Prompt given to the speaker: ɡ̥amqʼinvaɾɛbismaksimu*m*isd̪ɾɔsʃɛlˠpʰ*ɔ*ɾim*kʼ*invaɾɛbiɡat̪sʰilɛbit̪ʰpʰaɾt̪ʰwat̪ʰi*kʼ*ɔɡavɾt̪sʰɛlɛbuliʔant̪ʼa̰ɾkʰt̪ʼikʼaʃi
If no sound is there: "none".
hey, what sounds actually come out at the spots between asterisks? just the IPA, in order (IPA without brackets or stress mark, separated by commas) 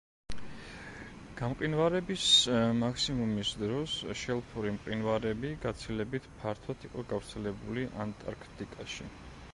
m, u, qʼ, qʼ